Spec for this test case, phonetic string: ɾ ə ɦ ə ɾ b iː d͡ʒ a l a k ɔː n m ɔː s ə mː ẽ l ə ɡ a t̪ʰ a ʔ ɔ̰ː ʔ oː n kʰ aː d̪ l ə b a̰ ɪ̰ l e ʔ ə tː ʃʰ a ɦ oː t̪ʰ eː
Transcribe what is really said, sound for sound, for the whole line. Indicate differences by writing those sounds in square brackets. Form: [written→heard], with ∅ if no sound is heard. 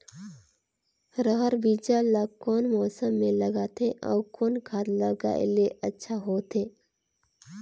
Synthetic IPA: ɾ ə ɦ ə ɾ b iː d͡ʒ a l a k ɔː n m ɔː s ə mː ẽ l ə ɡ a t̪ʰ [a→e] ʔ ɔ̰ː [ʔ→k] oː n kʰ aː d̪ l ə [b→ɡ] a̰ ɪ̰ l e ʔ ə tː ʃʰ a ɦ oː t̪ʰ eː